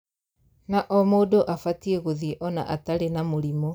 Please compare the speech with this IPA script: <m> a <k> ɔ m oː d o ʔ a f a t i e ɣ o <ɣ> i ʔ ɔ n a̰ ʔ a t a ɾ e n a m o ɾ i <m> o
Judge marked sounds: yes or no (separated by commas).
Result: no, no, no, yes